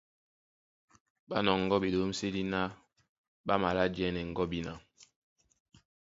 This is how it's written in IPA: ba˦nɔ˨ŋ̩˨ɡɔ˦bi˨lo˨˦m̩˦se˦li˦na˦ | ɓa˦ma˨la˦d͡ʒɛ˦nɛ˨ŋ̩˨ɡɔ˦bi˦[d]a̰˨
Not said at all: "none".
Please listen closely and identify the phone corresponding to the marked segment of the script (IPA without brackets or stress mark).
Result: n